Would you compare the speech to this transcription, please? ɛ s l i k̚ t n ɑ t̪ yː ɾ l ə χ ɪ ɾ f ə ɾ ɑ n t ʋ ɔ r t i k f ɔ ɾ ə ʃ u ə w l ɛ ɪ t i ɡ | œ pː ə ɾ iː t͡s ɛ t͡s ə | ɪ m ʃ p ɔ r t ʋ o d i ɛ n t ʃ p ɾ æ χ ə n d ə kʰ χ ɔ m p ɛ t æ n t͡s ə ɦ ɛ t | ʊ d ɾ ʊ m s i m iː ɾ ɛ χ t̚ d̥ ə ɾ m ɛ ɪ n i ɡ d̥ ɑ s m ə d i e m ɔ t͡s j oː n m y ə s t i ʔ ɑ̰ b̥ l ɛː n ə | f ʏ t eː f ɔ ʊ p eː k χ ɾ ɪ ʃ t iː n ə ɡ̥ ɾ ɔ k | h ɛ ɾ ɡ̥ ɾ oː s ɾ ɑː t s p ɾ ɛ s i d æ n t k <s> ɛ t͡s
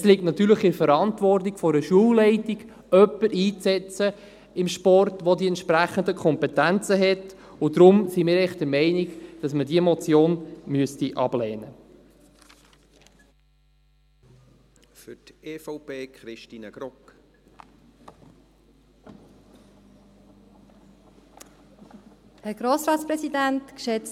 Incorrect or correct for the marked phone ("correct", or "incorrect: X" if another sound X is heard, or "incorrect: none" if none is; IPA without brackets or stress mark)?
incorrect: ʃ